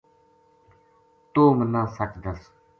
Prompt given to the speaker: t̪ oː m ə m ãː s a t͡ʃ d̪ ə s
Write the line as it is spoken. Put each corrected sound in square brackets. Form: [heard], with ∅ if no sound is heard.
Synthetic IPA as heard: t̪ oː m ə [n] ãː s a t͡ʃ d̪ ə s